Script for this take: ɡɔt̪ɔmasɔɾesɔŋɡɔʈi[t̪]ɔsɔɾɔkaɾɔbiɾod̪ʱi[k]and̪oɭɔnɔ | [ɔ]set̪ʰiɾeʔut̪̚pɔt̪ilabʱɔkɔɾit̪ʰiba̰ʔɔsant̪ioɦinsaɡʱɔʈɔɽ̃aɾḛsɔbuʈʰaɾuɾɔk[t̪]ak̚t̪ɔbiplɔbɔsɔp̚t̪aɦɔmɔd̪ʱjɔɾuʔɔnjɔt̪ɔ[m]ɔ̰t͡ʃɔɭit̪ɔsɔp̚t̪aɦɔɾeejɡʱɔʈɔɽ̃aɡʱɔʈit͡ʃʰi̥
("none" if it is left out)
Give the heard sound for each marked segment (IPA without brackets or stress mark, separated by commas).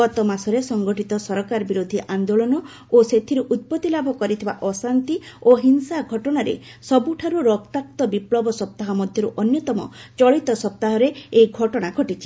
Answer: t̪, ʔ, o, t̪, m